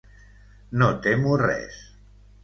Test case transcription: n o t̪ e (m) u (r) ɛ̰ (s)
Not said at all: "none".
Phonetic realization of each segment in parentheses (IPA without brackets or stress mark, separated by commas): m, r, s